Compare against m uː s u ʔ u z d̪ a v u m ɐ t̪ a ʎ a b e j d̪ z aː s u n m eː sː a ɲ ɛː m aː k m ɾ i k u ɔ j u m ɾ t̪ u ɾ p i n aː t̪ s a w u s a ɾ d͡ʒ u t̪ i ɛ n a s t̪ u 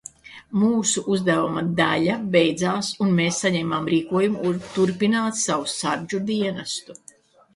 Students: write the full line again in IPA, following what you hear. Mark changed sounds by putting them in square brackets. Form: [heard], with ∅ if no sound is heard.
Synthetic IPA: m uː s u ʔ u z d̪ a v u m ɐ [d̪] a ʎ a b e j d̪ z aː s u n m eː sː a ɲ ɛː m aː [∅] m ɾ [iː] k u ɔ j u m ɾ t̪ u ɾ p i n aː t̪ s a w u s a ɾ d͡ʒ u [d̪] i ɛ n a s t̪ u